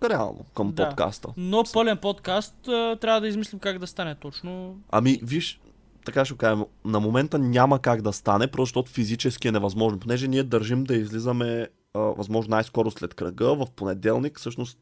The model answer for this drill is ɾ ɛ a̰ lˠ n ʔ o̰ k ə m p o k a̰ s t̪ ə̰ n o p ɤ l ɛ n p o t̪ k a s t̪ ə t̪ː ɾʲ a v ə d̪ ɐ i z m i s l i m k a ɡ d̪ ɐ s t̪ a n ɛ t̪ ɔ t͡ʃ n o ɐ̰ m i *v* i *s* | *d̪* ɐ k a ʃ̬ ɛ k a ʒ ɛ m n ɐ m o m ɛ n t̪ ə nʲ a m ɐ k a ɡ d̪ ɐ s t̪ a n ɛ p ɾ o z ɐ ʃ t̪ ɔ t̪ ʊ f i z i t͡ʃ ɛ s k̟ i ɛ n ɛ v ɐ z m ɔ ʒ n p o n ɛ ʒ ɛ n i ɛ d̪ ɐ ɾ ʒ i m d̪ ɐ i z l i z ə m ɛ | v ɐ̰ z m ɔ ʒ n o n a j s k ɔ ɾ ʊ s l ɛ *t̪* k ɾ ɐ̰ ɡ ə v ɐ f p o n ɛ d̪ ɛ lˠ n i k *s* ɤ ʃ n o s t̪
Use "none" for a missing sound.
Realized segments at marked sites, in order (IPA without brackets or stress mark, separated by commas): v, ʃ, t̪, t̪, s